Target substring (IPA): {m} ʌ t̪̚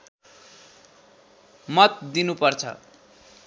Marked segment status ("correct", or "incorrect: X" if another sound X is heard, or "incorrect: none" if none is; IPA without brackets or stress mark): correct